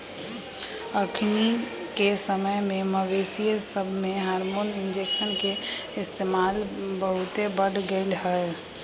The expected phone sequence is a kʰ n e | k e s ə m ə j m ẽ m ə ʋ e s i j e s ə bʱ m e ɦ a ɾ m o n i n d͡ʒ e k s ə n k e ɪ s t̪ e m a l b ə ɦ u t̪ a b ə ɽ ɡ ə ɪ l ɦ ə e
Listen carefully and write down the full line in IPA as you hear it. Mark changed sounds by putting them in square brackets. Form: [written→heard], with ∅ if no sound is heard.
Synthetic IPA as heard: [a→ə] kʰ n [e→i] | k e s ə m ə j m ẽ m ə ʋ e s i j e s ə bʱ m e ɦ a ɾ m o n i n d͡ʒ e k s ə n k e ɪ s t̪ e m a l b ə ɦ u t̪ [a→e] b ə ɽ ɡ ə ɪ l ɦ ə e

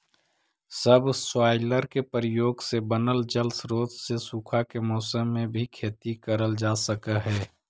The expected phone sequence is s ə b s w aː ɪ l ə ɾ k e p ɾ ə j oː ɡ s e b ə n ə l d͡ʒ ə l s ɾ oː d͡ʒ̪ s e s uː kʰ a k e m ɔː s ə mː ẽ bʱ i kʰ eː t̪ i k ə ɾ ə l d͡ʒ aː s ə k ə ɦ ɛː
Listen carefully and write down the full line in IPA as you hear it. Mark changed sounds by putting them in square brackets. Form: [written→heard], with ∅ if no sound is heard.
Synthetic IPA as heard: s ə b s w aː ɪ l ə ɾ k e p ɾ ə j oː ɡ s e b ə n ə l d͡ʒ ə l s ɾ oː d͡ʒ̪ s e s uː kʰ a k e m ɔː s ə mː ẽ bʱ i kʰ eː t̪ i k ə ɾ ə l d͡ʒ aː s ə k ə ɦ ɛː

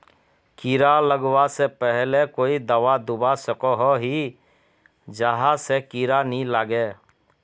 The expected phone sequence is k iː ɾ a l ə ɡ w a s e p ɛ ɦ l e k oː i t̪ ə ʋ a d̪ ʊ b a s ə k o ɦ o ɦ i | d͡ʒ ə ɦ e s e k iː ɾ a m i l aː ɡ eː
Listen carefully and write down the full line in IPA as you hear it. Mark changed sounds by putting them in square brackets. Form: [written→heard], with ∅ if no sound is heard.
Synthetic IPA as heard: k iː ɾ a l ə ɡ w a s e p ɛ ɦ l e k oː i [t̪→d̪] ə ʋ a d̪ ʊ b a s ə k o ɦ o ɦ i | d͡ʒ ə ɦ [e→a] s e k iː ɾ a [m→n] i l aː ɡ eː

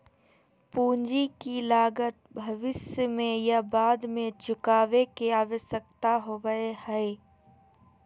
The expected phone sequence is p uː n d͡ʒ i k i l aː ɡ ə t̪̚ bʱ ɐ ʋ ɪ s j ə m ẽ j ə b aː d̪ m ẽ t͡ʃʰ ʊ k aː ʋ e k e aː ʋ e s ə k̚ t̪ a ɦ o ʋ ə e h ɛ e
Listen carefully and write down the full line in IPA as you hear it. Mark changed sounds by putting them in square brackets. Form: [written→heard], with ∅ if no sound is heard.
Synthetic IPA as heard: p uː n d͡ʒ i k i l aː ɡ ə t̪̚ bʱ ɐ ʋ ɪ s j ə m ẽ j [ə→a] b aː d̪ m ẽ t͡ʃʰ ʊ k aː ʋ e k e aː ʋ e s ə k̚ t̪ a ɦ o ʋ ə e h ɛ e

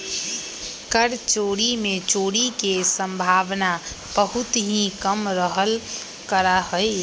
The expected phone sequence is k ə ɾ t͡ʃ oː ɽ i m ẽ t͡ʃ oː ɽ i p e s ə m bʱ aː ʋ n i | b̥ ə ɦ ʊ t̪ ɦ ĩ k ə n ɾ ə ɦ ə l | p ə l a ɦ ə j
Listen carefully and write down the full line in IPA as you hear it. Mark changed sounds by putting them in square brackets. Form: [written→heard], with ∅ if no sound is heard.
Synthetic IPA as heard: k ə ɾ t͡ʃ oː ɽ i m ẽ t͡ʃ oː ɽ i [p→k] e s ə m bʱ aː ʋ n [i→a] | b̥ ə ɦ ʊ t̪ ɦ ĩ k ə [n→m] ɾ ə ɦ ə l | [p→k] ə [l→ɾ] a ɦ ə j

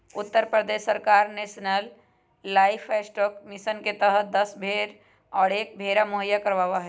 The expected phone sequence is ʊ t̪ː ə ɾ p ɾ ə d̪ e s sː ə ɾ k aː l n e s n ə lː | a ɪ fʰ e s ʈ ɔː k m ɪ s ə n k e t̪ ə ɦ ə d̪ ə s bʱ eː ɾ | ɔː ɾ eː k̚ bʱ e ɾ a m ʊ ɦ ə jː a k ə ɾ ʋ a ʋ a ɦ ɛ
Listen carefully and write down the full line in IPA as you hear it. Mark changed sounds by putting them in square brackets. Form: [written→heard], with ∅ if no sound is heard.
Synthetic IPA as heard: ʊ t̪ː ə ɾ p ɾ ə d̪ e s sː ə ɾ k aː [l→ɾ] n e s n ə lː | a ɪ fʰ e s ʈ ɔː k m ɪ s ə n k e t̪ ə ɦ ə d̪ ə s bʱ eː ɾ | ɔː ɾ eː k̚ bʱ e ɾ a m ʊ ɦ ə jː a k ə ɾ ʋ a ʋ a ɦ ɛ

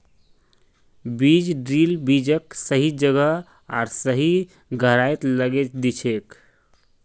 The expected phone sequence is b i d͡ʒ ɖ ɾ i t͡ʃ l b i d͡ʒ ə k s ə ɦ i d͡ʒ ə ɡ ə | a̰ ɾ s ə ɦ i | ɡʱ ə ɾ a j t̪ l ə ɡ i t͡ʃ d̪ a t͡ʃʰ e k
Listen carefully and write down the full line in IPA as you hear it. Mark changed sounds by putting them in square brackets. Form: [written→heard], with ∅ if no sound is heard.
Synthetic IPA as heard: b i d͡ʒ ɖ ɾ i [t͡ʃ→∅] l b i d͡ʒ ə k s ə ɦ i d͡ʒ ə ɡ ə | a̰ ɾ s ə ɦ i | ɡʱ ə ɾ a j t̪ l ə ɡ [i→e] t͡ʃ d̪ [a→i] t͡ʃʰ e k

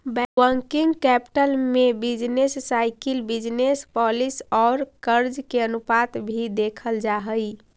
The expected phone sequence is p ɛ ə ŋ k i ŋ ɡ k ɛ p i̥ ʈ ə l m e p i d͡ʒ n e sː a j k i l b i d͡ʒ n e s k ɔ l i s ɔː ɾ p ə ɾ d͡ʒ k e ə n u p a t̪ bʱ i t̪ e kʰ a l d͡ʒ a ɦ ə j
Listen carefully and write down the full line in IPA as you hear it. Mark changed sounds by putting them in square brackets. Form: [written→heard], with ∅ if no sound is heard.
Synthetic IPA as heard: [p→b] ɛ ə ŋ k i ŋ ɡ k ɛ p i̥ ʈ ə l m e [p→b] i d͡ʒ n e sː a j k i l b i d͡ʒ n e s [k→p] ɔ l i s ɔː ɾ [p→k] ə ɾ d͡ʒ k e ə n u p a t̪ bʱ i [t̪→d̪] e kʰ [a→ə] l d͡ʒ a ɦ ə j

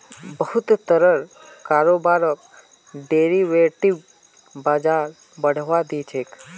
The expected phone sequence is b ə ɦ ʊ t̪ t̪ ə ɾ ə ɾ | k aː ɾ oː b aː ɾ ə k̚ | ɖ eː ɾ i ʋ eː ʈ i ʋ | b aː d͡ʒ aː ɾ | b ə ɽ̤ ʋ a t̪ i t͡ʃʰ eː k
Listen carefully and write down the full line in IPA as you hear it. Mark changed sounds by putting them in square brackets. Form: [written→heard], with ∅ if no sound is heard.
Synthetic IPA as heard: b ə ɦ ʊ t̪ t̪ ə ɾ ə ɾ | k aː ɾ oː b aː ɾ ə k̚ | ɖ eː ɾ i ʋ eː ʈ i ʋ | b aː d͡ʒ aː ɾ | b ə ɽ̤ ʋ a [t̪→d̪] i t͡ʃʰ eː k

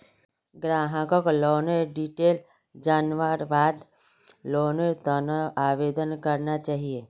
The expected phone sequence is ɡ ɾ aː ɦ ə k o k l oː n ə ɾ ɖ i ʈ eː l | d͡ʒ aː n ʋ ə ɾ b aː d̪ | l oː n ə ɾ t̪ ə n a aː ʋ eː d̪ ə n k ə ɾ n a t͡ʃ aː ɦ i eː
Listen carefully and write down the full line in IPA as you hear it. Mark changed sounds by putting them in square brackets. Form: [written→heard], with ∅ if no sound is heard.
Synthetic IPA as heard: ɡ ɾ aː ɦ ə k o k l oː n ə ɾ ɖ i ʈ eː l | d͡ʒ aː n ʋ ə ɾ b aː d̪ | l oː n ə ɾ t̪ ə n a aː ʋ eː d̪ ə n k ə ɾ n a t͡ʃ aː ɦ i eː

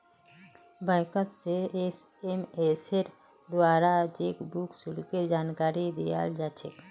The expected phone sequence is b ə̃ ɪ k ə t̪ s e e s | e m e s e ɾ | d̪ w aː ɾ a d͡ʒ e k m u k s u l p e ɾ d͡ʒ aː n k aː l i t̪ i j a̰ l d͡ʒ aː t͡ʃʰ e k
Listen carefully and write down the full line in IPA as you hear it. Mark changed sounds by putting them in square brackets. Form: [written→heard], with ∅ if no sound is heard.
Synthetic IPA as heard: b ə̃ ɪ k ə t̪ s e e s | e m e s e ɾ | d̪ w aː ɾ a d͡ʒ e k [m→b] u k s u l [p→k] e ɾ d͡ʒ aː n k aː [l→ɾ] i [t̪→d̪] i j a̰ l d͡ʒ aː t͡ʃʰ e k

